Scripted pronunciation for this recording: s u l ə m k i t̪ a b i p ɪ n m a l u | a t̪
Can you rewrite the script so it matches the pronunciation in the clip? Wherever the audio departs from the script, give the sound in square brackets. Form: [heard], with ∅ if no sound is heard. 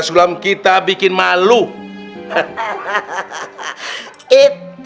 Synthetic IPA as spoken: s u l [a] m k i t̪ a b i [k] ɪ n m a l u | [i] t̪

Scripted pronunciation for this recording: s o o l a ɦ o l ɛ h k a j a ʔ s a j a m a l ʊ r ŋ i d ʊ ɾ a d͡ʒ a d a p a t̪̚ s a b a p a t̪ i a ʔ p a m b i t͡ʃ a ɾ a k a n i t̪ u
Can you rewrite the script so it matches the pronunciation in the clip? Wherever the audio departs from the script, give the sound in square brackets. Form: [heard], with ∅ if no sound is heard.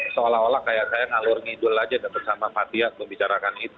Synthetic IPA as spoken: s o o l a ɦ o l [a] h k a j a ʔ s a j a [ŋ] a l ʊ r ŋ i d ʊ [l] a d͡ʒ a d a p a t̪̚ s a [m] a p a t̪ i a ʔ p [ə] m b i t͡ʃ a ɾ a k a n i t̪ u

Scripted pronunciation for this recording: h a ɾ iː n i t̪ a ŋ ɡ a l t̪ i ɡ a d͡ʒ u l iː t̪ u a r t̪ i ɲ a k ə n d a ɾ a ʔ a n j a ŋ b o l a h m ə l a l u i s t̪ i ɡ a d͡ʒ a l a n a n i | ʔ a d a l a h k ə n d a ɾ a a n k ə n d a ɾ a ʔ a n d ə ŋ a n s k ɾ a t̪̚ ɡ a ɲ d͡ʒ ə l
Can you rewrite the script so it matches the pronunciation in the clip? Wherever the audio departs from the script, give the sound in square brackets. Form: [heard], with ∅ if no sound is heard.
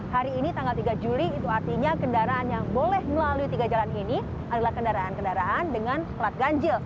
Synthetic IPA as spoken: h a ɾ iː n i t̪ a ŋ ɡ a l t̪ i ɡ a d͡ʒ u l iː t̪ u a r t̪ i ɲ a k ə n d a ɾ a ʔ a n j a ŋ b o l [ɛ] h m ə l a l u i [∅] t̪ i ɡ a d͡ʒ a l a n [i] n i | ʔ a d a l a h k ə n d a ɾ a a n k ə n d a ɾ a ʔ a n d ə ŋ a n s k [l] a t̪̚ ɡ a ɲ d͡ʒ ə l

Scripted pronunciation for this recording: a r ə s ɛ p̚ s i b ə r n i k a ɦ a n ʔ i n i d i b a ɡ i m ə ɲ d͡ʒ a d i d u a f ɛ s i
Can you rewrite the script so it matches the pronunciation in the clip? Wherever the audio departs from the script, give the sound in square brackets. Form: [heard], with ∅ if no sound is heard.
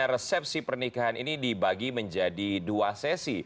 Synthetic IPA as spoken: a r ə s ɛ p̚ s i [p] ə r n i k a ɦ a n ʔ i n i d i b a ɡ i m ə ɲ d͡ʒ a d i d u a [s] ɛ s i

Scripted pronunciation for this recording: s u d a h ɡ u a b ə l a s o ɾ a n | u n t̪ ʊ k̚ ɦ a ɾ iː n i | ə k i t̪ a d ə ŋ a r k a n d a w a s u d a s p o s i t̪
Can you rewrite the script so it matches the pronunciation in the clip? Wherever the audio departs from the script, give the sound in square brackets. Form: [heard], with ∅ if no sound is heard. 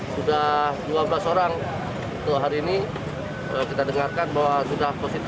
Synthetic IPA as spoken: s u d a h [d] u a b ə l a s o ɾ a [ŋ] | u n t̪ ʊ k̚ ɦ a ɾ iː n i | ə k i t̪ a d ə ŋ a r k a n [b] a w a s u d a [h] p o s i t̪

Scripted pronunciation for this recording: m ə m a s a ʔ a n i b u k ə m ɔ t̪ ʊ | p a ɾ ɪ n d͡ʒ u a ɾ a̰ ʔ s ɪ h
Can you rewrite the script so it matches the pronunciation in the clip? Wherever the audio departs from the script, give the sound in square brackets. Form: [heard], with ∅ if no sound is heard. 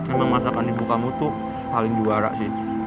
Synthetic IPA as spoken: m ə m a s a [k] a n i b u k [a] m [u] t̪ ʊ | p a [l] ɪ [ŋ] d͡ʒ u a ɾ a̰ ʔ s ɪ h

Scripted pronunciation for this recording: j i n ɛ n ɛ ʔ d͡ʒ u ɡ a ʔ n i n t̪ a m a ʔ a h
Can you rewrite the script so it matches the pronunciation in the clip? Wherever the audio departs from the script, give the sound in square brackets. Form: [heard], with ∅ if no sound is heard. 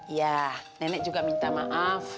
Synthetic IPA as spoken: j [a] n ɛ n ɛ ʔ d͡ʒ u ɡ a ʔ [m] i n t̪ a m a ʔ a [f]

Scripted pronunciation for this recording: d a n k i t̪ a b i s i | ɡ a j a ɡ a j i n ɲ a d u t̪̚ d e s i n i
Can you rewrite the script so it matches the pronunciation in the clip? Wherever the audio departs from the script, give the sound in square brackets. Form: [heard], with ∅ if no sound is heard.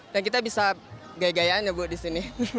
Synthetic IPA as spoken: d a n k i t̪ a b i s [a] | ɡ a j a ɡ a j [a] n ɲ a [b] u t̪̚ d [i] s i n i

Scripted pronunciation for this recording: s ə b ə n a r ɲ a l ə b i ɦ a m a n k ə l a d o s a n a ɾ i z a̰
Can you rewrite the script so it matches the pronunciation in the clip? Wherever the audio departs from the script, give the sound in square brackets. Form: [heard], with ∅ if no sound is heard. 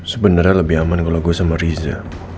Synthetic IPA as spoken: s ə b ə n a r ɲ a l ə b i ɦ a m a n k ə l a [ɡ] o s a [m] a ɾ i z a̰

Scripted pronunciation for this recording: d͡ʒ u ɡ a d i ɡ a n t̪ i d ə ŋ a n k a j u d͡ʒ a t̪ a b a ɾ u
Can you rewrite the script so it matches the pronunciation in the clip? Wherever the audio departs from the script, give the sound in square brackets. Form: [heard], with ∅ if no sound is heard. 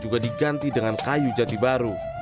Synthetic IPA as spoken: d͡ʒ u ɡ a d i ɡ a n t̪ i d ə ŋ a n k a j u d͡ʒ a t̪ [i] b a ɾ u

